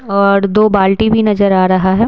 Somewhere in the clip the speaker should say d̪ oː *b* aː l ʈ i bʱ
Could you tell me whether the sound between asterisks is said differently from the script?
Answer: no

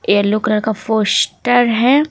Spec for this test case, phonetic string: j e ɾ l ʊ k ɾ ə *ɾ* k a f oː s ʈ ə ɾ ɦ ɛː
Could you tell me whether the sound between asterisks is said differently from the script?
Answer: no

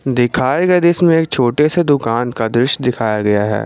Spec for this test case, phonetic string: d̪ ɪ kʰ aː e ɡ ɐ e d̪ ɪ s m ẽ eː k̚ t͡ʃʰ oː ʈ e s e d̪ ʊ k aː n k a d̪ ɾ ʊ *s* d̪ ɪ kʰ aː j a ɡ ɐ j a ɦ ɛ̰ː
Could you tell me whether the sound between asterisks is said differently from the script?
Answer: yes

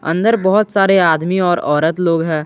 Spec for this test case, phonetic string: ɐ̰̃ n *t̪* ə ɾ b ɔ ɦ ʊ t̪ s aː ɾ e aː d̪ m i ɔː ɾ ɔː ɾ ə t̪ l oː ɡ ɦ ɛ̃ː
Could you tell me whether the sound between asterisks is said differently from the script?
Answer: yes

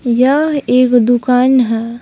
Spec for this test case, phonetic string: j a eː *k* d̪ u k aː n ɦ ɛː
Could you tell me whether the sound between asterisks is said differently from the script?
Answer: no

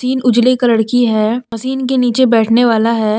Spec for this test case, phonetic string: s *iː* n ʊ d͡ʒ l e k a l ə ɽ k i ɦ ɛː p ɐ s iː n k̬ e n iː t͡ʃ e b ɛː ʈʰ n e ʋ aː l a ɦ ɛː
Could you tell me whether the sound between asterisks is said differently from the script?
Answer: no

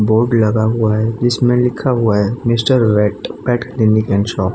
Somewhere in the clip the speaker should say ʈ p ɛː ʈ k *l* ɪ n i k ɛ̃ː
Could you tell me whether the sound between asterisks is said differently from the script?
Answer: no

